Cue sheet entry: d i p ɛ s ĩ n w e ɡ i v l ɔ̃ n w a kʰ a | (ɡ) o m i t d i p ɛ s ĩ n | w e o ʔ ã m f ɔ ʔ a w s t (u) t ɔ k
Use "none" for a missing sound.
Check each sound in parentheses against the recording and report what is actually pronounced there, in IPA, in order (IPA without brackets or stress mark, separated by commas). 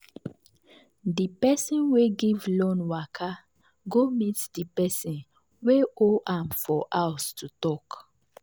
ɡ, u